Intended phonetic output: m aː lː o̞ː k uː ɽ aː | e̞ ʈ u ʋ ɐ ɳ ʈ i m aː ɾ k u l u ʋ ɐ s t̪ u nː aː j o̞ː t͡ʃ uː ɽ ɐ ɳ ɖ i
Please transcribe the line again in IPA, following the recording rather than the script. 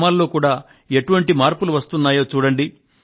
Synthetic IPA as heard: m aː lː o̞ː k uː ɽ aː | e̞ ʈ u ʋ ɐ ɳ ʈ i m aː ɾ p u l u ʋ ɐ s t̪ u nː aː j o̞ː t͡ʃ uː ɽ ɐ ɳ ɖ i